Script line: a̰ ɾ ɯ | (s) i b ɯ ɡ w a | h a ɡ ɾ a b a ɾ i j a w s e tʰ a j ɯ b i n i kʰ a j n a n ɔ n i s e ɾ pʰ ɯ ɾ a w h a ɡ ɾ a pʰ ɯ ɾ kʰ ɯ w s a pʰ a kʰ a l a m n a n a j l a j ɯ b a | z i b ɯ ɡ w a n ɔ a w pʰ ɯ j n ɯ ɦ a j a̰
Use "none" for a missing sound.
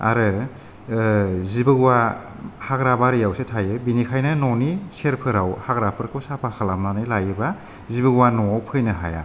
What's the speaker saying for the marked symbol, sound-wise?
z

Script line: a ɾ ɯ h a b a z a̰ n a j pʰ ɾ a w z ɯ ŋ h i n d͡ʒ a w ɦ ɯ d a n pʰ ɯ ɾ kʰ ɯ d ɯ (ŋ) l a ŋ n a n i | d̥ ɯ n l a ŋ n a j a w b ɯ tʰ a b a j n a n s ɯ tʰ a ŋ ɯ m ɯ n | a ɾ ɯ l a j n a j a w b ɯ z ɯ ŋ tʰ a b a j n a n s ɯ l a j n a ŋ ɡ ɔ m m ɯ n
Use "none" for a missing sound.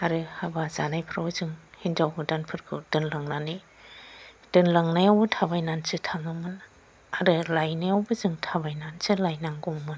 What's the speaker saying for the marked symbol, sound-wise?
n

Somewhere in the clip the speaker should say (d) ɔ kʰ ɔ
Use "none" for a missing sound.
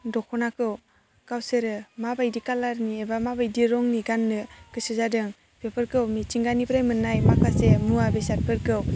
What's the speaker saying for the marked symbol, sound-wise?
d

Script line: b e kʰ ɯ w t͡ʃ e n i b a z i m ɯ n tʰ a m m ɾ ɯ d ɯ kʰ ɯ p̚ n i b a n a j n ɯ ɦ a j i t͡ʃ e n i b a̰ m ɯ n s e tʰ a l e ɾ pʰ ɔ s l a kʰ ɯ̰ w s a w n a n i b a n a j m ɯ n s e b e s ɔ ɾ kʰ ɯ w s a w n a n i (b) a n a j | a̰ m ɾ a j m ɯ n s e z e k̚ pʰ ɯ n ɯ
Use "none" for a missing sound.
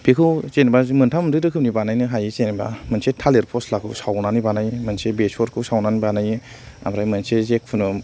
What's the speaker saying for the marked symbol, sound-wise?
b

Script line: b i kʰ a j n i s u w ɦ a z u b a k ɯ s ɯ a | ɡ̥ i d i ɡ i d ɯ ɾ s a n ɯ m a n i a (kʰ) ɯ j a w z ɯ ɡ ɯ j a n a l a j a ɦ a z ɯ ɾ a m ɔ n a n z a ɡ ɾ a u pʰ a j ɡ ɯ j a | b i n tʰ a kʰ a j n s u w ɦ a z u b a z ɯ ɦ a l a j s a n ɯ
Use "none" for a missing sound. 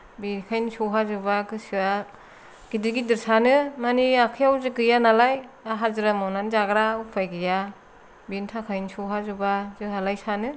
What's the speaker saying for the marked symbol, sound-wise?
kʰ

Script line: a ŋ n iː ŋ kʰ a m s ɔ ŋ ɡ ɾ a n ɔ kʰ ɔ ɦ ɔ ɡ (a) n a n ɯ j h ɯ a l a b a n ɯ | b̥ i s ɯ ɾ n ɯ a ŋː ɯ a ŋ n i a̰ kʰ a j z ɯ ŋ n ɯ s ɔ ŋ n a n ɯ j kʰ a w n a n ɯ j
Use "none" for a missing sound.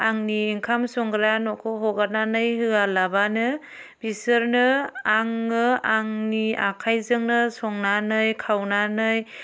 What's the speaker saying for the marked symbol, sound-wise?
a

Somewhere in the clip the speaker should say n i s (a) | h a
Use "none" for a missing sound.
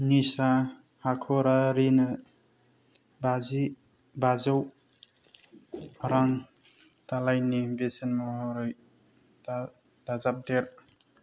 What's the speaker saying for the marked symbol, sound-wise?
a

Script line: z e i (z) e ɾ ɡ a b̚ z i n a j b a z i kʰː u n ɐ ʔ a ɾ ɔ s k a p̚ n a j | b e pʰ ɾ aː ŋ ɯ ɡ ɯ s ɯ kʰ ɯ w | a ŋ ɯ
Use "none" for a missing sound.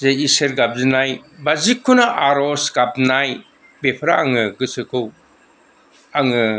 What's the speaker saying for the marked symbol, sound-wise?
s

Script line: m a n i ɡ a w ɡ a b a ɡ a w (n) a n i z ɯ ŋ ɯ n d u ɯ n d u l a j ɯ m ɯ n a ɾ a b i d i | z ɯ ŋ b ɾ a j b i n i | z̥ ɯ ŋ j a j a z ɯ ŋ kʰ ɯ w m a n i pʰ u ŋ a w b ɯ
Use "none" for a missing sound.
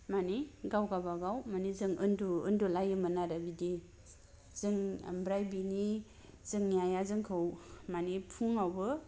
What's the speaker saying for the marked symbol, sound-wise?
m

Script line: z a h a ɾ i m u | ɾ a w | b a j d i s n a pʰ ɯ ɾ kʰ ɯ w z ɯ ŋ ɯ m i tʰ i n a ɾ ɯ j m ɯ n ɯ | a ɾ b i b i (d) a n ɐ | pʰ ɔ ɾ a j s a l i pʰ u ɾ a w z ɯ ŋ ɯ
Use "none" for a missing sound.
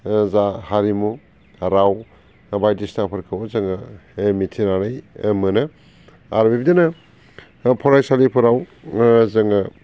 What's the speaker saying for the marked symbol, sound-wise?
d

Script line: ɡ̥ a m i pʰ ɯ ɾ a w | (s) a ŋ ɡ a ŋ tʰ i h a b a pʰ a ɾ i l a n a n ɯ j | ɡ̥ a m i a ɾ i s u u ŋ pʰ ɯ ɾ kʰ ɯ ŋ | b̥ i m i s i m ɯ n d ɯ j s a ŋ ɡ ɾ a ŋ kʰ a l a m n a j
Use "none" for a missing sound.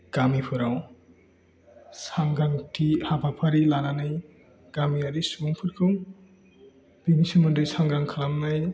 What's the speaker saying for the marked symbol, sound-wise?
s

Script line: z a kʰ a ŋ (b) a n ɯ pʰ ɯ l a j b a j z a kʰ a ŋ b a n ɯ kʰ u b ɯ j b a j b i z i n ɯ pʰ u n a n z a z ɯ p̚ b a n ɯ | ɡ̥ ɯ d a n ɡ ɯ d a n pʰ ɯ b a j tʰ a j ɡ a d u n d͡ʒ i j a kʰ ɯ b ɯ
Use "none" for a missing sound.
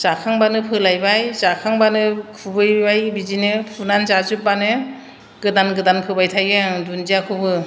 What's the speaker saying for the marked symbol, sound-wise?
b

